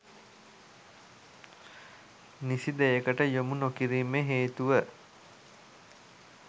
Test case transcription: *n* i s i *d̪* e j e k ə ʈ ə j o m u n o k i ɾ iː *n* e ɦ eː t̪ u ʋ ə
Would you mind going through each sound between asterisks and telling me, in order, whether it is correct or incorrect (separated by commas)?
correct, correct, incorrect